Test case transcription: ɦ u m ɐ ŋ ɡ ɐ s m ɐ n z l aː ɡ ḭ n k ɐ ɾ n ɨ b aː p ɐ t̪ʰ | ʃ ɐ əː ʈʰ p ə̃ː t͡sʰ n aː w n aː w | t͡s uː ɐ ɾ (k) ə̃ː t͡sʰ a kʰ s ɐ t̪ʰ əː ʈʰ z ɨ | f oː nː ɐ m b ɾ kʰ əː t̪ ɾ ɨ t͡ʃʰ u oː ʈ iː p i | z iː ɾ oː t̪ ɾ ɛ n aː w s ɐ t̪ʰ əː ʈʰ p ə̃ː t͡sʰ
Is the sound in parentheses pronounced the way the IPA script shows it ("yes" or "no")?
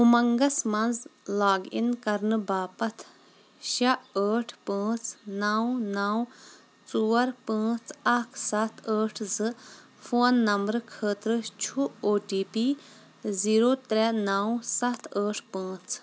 no